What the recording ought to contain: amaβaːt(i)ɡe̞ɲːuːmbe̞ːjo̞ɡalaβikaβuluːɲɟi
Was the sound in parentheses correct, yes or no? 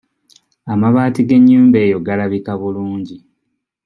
yes